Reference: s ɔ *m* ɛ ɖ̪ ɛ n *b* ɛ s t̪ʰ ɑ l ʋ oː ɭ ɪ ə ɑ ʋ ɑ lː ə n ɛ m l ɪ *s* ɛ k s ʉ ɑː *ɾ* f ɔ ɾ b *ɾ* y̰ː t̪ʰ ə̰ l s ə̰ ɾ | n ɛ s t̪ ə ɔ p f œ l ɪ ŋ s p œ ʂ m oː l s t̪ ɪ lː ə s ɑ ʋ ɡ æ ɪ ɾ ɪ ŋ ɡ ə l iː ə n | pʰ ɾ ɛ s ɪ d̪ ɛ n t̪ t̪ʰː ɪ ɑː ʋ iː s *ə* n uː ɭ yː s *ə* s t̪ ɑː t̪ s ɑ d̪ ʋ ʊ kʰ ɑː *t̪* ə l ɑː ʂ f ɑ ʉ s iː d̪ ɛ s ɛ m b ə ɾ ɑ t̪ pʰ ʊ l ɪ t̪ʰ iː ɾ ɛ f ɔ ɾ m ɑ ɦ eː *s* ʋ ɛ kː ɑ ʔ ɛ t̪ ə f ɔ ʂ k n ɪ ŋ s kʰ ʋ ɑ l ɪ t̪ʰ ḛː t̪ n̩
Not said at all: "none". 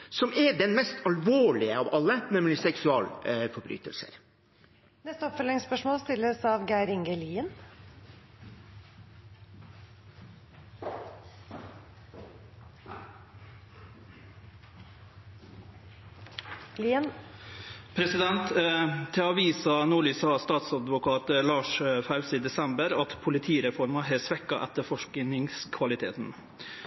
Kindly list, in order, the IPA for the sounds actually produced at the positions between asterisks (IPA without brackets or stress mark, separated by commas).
m, m, s, l, ɾ, ɑ, ɑ, t̪, s